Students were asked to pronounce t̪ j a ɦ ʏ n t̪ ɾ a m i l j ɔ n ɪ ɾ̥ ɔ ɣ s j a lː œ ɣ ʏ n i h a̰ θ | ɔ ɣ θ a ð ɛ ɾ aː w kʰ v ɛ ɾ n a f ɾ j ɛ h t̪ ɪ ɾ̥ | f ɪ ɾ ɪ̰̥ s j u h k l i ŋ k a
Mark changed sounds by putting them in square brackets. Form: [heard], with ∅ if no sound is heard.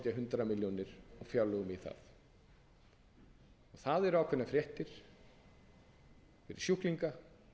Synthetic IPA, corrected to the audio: t̪ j a ɦ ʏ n t̪ ɾ a m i l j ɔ n ɪ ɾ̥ ɔ ɣ [f] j a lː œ ɣ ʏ [m] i [θ] a̰ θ | ɔ ɣ θ a ð ɛ ɾ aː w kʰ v ɛ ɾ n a f ɾ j ɛ h t̪ ɪ ɾ̥ | f ɪ ɾ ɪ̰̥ s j u h k l i ŋ k a